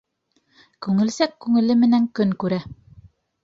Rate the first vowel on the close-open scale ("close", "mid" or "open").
close